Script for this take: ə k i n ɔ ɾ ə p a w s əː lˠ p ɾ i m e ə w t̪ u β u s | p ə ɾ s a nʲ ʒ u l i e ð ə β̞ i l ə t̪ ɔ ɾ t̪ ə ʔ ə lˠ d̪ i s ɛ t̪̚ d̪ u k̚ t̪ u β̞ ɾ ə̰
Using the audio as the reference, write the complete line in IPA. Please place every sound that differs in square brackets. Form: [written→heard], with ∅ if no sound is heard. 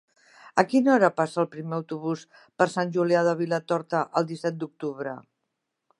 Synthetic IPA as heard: ə k i n ɔ ɾ ə p a [w→∅] s əː lˠ p ɾ i m e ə w t̪ u β u s | p ə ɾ s a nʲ ʒ u l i [e→a] ð ə β̞ i l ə t̪ ɔ ɾ t̪ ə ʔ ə lˠ d̪ i s ɛ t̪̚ d̪ u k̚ t̪ u β̞ ɾ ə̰